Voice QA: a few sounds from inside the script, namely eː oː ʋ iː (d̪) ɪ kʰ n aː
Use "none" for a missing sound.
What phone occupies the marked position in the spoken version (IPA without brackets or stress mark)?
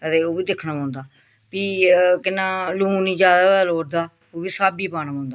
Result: d̪